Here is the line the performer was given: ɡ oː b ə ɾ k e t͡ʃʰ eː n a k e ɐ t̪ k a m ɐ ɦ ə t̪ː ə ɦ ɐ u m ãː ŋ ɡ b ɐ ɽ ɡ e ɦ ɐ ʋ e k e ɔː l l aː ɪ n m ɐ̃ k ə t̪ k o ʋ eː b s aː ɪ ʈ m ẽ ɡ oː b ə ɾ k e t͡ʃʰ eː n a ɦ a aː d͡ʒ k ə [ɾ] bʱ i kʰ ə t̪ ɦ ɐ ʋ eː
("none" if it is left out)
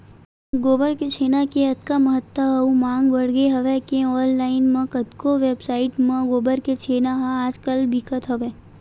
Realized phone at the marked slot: l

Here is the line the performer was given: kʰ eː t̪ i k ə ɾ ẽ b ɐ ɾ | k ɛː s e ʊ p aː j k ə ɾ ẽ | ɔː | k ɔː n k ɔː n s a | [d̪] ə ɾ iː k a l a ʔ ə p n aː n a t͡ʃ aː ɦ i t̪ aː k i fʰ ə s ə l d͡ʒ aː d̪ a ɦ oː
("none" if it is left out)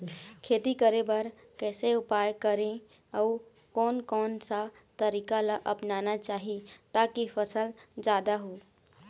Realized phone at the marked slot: t̪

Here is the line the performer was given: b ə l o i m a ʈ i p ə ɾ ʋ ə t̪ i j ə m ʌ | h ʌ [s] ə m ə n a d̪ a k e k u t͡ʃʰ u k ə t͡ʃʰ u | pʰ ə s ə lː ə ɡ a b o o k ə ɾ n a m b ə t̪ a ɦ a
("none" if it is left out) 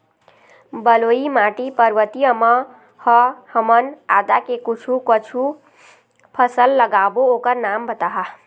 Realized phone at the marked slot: h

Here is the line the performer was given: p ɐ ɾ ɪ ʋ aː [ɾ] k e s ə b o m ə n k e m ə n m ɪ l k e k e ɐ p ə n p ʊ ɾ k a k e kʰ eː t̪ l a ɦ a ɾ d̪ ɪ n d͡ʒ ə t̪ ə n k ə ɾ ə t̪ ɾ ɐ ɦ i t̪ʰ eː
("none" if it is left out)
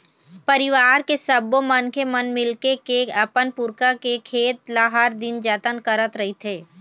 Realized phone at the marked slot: ɾ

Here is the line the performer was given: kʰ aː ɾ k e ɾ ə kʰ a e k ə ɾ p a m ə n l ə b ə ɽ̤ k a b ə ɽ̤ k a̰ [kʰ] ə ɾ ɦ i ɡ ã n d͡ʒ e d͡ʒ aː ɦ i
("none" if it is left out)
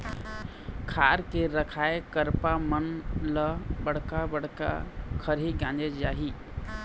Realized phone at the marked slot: kʰ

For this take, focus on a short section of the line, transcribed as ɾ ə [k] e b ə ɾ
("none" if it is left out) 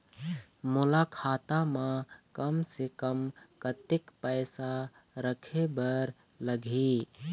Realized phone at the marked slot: kʰ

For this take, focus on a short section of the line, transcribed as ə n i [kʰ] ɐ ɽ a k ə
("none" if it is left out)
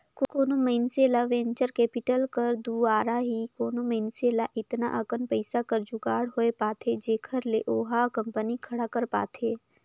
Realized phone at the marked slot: kʰ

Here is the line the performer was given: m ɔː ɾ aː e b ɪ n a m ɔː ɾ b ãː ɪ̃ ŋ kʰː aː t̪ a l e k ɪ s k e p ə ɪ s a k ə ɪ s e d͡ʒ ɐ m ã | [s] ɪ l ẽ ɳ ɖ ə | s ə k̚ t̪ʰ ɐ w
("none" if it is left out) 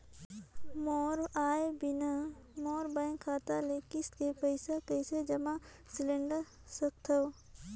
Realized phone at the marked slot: s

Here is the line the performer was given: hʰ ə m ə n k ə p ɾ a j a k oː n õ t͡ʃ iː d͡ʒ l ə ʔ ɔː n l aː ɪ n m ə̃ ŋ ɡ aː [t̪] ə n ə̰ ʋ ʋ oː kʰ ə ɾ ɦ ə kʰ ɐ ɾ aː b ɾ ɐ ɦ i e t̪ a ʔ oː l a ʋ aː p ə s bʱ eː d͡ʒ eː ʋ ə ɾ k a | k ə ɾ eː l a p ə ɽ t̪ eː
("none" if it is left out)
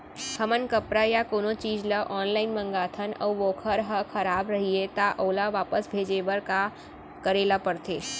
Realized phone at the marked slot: t̪ʰ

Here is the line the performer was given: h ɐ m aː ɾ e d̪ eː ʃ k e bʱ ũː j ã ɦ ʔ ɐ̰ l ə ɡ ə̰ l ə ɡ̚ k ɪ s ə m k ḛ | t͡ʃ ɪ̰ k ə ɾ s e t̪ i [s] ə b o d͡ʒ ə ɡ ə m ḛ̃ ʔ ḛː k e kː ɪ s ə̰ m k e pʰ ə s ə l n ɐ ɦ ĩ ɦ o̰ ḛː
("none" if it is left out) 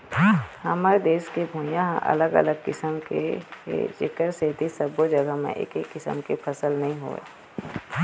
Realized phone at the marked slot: s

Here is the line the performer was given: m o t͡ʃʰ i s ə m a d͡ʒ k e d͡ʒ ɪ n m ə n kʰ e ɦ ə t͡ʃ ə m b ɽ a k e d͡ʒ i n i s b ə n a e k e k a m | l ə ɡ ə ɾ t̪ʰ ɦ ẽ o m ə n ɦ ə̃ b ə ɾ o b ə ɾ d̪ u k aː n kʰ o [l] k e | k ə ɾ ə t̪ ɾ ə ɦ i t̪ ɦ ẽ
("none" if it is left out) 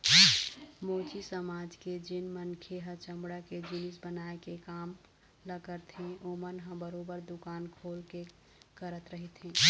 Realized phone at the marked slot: l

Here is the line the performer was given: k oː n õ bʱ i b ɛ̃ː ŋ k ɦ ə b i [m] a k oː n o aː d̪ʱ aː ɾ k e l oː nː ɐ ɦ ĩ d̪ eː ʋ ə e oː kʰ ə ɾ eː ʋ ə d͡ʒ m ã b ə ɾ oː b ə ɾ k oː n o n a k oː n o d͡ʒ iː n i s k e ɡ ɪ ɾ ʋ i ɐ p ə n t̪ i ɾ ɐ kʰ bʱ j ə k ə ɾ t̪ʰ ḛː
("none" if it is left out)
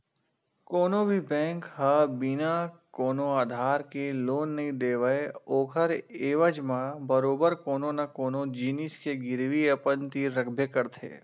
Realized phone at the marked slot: n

